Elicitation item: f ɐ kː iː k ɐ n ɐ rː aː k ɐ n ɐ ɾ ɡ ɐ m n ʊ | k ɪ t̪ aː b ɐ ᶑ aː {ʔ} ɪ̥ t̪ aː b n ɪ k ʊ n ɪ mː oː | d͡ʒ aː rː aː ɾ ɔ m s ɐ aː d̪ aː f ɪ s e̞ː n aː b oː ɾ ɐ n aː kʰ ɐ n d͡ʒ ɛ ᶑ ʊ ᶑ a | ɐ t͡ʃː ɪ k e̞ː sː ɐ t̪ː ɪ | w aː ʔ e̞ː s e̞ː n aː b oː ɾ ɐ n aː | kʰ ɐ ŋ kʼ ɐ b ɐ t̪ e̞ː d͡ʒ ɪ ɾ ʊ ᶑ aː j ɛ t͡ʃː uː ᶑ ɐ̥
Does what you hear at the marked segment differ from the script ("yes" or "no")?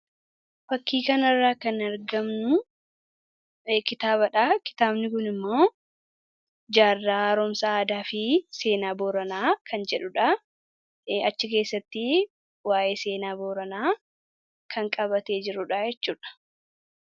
yes